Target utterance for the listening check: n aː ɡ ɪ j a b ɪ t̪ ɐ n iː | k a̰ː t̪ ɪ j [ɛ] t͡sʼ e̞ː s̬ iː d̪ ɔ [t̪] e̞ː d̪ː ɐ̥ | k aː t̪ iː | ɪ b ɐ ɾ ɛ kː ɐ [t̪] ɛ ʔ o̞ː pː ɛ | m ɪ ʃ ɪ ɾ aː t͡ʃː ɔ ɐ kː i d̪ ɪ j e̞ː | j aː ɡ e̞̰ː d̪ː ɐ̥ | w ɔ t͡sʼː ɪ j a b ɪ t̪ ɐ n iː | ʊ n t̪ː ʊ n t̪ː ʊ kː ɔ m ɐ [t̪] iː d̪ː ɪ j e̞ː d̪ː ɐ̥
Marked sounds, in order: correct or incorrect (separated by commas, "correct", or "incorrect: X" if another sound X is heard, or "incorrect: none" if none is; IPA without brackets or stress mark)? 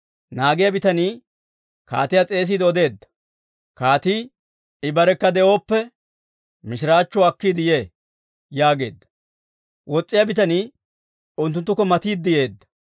incorrect: a, incorrect: d̪, incorrect: d̪, correct